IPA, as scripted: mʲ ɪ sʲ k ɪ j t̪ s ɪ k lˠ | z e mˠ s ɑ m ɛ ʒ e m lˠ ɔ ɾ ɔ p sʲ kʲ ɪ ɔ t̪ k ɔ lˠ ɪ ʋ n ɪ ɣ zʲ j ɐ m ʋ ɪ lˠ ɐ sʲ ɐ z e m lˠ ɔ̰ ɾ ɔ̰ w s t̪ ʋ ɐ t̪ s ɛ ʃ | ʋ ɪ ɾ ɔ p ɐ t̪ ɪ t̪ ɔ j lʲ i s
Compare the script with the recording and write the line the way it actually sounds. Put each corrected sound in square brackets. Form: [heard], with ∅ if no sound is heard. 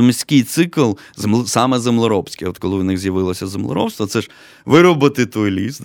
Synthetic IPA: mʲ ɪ sʲ k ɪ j t̪ s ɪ k lˠ | z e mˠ s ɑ m ɛ [z] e m lˠ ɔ ɾ ɔ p sʲ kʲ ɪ ɔ t̪ k ɔ lˠ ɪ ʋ n ɪ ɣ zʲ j ɐ [∅] ʋ ɪ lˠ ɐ sʲ ɐ z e m lˠ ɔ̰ ɾ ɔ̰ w s t̪ ʋ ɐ t̪ s ɛ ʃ | ʋ ɪ ɾ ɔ [b] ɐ t̪ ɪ t̪ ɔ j lʲ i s